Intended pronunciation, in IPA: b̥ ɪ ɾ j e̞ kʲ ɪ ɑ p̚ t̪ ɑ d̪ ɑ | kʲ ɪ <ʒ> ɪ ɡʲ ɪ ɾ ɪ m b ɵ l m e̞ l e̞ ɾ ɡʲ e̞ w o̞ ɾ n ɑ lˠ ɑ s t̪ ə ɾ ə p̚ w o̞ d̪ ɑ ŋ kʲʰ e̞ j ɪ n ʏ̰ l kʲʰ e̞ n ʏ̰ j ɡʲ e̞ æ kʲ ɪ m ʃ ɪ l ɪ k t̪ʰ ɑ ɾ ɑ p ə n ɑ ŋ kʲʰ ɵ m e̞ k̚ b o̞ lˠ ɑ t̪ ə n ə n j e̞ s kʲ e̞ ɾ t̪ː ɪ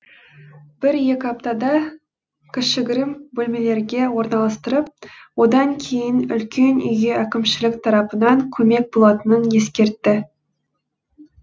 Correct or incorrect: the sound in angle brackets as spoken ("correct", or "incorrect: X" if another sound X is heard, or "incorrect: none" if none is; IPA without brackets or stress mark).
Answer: incorrect: ʃ